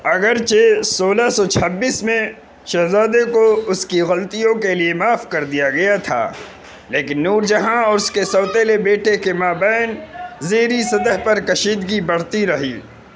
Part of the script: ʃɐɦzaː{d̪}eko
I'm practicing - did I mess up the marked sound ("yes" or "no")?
no